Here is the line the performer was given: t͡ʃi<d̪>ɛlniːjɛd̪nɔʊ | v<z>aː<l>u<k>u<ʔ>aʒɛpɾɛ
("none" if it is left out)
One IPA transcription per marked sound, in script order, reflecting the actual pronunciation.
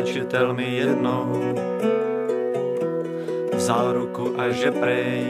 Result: t̪, z, ɾ, k, ʔ

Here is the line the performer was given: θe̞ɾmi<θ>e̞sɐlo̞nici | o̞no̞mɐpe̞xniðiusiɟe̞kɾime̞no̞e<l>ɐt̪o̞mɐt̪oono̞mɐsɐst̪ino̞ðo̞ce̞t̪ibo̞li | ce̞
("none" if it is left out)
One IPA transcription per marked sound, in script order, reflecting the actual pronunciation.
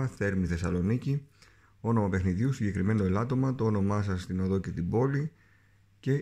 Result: θ, l

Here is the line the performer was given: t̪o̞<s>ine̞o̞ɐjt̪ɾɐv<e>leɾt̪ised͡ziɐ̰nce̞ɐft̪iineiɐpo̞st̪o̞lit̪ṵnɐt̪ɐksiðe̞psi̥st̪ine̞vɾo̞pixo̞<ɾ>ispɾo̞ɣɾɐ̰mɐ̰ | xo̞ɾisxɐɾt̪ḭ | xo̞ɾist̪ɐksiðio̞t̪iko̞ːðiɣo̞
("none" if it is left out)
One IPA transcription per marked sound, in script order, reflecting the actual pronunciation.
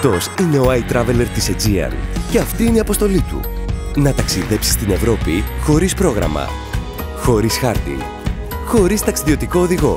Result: s, e, ɾ

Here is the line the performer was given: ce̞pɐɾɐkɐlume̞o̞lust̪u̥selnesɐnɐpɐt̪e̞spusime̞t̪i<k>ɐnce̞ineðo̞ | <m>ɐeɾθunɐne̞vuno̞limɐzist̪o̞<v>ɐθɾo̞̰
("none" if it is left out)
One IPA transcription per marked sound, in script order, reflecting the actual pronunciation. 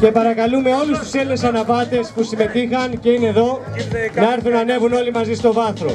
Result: x, n, v

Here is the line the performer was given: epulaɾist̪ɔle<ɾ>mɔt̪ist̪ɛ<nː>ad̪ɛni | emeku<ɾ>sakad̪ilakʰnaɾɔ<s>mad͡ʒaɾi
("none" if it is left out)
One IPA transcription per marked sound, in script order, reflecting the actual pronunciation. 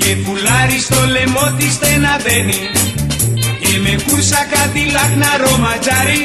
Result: none, n, ɾ, none

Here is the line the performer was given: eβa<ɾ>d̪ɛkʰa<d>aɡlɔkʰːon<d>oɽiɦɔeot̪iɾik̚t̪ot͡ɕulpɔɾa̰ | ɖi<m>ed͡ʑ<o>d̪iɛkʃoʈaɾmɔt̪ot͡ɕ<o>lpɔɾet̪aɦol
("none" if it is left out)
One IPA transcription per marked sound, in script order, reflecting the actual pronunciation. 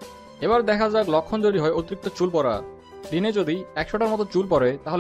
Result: ɾ, d͡ʑ, d͡ʑ, n, o, u

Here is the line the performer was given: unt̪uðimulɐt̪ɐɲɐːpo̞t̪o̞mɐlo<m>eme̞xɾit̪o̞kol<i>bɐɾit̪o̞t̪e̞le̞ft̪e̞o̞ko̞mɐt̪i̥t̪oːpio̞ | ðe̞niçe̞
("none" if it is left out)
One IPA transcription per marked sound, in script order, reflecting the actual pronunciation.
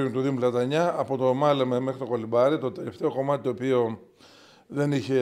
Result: m, i

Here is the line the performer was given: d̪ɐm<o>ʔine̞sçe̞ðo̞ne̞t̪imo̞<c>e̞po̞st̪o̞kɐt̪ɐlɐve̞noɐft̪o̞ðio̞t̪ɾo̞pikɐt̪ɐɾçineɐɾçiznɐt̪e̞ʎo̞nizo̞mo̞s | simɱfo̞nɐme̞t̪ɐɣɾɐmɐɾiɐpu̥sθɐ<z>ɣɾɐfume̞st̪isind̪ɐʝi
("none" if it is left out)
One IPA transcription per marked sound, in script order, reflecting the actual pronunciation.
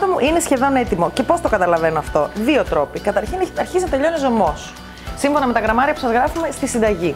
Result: u, c, z

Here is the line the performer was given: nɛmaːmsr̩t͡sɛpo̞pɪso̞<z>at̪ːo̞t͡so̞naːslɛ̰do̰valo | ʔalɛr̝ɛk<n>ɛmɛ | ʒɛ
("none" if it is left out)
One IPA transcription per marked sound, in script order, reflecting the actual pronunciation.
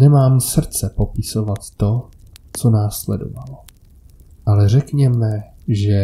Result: v, ɲ

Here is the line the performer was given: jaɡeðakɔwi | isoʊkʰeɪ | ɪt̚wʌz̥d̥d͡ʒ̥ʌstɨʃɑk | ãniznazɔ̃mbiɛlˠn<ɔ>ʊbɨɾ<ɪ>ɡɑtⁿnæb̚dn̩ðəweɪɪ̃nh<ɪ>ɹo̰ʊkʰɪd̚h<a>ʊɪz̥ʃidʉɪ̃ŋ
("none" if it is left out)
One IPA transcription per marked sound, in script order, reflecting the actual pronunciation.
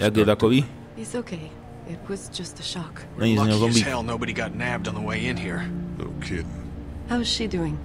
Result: o, i, i, a

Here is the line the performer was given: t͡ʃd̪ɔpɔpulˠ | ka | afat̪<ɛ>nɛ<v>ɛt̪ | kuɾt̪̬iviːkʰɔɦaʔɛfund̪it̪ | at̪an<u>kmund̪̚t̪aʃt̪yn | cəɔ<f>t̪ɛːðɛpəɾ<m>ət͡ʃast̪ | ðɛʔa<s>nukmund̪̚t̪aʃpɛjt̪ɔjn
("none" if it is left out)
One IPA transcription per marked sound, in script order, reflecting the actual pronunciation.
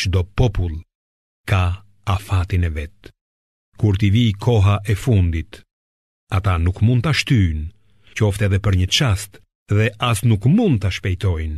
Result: i, v, u, f, ɲ, s

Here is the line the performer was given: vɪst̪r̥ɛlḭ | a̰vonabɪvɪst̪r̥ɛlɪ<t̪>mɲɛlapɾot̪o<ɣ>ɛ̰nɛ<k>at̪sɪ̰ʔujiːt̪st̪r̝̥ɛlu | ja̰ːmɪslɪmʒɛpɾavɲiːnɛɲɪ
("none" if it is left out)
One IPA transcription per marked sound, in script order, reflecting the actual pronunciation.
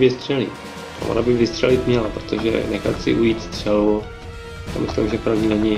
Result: t̪, ʒ, x

